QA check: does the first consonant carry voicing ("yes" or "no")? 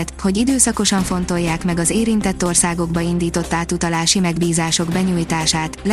no